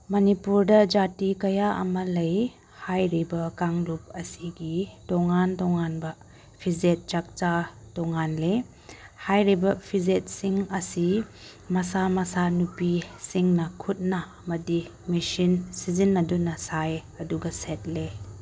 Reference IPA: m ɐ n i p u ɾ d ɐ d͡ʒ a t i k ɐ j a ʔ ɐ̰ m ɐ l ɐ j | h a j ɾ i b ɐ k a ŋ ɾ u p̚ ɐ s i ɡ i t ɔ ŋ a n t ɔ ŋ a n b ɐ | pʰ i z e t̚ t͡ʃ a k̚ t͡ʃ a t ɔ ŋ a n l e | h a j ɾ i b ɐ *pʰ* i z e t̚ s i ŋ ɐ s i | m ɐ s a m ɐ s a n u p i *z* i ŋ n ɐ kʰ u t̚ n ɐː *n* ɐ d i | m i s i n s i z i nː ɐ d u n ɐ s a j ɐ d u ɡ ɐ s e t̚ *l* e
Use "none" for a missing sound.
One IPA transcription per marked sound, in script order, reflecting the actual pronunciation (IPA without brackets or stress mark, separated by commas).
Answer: pʰ, s, m, l